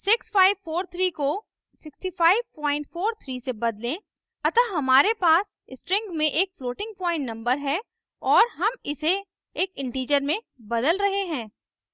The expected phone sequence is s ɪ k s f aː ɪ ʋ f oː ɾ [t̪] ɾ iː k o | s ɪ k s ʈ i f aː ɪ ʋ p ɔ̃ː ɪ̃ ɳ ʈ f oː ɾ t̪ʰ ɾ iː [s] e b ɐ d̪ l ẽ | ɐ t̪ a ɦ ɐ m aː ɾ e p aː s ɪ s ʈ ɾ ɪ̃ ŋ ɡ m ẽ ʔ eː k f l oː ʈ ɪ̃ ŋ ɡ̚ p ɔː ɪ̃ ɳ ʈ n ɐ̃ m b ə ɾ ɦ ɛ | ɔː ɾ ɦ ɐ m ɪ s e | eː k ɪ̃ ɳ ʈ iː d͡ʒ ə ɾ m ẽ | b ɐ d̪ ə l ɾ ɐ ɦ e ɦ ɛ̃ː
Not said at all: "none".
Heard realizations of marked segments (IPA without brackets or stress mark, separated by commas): t̪ʰ, s